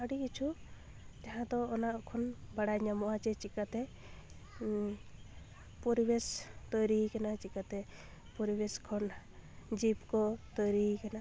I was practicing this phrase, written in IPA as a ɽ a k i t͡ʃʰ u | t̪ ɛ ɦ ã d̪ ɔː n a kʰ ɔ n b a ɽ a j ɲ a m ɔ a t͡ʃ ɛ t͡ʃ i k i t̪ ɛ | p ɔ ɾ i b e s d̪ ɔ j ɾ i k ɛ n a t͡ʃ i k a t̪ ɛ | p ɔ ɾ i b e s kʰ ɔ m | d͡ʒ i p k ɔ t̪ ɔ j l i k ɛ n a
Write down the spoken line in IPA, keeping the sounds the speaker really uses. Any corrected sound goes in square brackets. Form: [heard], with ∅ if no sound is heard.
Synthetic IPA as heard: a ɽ [i] k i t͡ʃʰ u | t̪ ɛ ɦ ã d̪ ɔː n a kʰ ɔ n b a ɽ a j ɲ a m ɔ a t͡ʃ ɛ t͡ʃ i k [a] t̪ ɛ | p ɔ ɾ i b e s [t̪] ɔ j ɾ i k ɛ n a t͡ʃ i k a t̪ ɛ | p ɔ ɾ i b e s kʰ ɔ [n] | d͡ʒ i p k ɔ t̪ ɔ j [ɾ] i k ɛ n a